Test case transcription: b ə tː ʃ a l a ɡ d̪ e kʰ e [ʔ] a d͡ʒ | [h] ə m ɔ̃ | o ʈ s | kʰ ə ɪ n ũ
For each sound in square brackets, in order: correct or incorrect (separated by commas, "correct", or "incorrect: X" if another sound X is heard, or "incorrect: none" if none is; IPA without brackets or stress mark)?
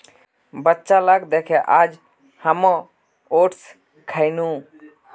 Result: correct, correct